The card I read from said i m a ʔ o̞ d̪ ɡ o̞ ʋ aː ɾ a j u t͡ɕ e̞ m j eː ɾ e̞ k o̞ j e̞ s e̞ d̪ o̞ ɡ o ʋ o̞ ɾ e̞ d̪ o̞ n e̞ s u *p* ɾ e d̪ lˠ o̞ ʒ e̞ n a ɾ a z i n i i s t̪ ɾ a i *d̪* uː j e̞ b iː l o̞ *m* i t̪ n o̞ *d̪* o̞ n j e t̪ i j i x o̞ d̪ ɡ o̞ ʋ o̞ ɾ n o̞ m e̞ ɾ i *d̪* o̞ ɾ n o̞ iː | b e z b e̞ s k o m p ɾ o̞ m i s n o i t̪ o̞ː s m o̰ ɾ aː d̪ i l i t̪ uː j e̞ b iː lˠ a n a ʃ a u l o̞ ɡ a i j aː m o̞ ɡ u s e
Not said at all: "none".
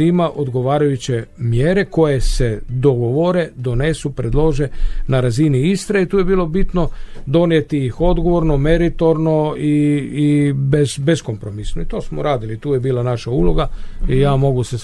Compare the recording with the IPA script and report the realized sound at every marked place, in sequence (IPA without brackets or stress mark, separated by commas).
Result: p, t̪, b, d̪, t̪